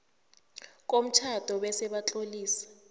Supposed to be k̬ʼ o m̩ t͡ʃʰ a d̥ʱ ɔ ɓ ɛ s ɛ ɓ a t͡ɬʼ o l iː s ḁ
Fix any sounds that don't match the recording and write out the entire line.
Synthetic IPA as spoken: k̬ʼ o m̩ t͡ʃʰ a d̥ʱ ɔ ɓ ɛ s ɛ ɓ a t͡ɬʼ o l iː s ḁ

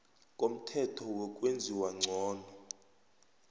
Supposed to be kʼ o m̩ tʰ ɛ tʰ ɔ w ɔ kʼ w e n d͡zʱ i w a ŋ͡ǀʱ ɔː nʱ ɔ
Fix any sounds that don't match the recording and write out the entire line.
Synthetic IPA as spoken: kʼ o m̩ tʰ ɛ tʰ ɔ w ɔ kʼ w e n d͡zʱ i w a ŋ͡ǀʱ ɔː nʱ ɔ

